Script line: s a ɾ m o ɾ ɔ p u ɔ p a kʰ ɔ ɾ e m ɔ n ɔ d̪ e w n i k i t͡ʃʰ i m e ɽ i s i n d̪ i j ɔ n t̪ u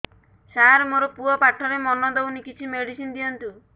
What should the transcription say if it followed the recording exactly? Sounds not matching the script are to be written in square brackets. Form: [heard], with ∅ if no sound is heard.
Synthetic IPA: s a ɾ m o ɾ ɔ p u ɔ p a [ʈʰ] ɔ ɾ e m ɔ n ɔ d̪ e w n i k i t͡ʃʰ i m e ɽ i s i n d̪ i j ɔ n t̪ u